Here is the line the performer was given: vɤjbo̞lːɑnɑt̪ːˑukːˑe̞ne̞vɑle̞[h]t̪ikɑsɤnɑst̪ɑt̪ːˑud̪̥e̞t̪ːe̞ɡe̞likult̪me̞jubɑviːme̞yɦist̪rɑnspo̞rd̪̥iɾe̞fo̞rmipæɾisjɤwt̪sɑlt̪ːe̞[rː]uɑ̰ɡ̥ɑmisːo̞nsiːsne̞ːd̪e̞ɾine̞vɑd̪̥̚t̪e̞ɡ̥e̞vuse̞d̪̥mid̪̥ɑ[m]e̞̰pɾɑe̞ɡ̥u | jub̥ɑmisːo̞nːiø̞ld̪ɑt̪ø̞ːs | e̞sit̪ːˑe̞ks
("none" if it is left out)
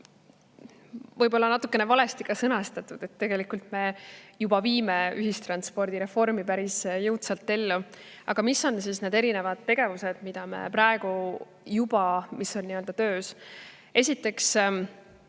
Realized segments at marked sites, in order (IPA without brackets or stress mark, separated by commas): s, lː, m